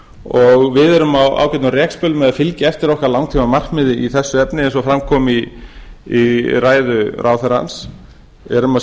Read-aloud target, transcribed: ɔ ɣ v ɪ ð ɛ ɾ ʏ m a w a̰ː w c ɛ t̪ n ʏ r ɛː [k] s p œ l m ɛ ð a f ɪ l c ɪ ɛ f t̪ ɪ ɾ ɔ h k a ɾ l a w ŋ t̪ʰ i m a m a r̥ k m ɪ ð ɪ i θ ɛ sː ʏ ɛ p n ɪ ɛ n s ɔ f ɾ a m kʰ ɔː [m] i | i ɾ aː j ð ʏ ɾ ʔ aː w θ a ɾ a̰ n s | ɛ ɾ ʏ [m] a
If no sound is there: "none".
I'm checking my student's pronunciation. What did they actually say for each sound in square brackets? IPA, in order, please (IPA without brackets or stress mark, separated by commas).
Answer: k, m, m